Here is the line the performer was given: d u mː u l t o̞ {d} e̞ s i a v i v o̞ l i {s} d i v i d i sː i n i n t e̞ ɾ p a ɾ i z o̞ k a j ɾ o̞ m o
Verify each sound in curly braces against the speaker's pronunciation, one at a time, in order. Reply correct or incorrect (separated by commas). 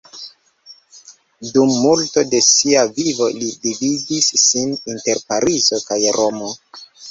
correct, incorrect